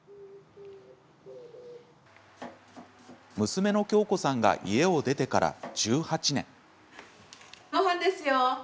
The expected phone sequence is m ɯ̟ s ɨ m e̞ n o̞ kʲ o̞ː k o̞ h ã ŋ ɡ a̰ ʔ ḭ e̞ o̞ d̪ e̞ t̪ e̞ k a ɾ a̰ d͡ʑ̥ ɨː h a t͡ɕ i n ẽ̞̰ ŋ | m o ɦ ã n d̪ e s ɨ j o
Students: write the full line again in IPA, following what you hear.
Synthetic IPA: m ɯ̟ s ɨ m e̞ n o̞ kʲ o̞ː k o̞ s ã ŋ ɡ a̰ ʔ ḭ e̞ o̞ d̪ e̞ t̪ e̞ k a ɾ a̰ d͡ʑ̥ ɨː h a t͡ɕ i n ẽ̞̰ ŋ | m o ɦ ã n d̪ e s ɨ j o